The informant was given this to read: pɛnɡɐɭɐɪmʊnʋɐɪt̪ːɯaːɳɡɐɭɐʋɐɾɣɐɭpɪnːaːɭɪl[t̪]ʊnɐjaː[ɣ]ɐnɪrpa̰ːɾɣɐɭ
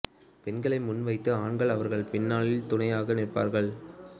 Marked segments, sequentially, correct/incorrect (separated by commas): correct, correct